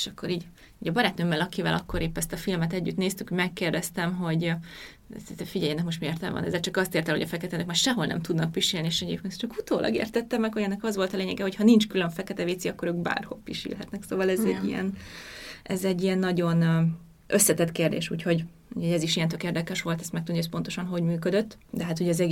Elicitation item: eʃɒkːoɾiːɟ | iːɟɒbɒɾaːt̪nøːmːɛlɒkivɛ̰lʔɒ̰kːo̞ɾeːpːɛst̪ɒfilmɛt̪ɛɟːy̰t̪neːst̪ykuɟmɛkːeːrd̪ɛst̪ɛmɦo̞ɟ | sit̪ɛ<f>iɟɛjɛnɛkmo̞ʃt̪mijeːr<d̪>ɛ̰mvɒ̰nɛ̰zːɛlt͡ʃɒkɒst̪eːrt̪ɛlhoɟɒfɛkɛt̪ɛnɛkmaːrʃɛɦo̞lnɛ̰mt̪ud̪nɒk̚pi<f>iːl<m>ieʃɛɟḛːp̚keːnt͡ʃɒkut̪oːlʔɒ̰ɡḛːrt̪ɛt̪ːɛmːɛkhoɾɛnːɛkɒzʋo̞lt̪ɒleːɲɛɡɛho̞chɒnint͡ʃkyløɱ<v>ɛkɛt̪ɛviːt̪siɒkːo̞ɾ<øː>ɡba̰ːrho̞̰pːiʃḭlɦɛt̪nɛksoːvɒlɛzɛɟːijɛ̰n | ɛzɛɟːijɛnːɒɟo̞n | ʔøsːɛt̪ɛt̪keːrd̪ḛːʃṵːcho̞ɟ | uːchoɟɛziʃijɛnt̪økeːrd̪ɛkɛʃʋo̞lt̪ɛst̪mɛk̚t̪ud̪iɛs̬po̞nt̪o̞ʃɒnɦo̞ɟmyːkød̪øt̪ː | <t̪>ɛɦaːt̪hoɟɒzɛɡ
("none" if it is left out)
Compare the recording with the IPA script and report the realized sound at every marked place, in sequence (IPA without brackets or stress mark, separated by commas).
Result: f, t̪, ʃ, n, f, øː, d̪